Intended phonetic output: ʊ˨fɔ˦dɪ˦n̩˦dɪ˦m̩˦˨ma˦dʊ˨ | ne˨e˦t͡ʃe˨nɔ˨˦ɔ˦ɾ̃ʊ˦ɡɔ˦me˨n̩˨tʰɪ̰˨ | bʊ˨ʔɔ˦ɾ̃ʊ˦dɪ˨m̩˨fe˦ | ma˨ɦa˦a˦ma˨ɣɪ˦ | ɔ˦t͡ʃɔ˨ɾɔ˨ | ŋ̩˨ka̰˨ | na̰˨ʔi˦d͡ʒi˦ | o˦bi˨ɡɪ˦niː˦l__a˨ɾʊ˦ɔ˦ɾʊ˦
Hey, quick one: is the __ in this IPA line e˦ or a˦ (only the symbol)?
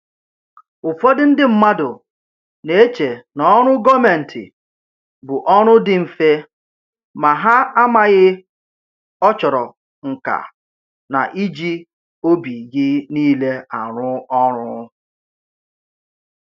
e˦